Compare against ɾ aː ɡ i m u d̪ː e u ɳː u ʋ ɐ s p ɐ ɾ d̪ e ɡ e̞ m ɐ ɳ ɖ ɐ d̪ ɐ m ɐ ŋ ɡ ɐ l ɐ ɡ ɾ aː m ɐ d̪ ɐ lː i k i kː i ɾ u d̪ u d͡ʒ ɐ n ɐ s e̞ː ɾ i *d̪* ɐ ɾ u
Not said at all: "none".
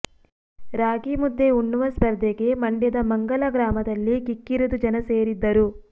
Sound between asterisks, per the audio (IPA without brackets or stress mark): d̪ː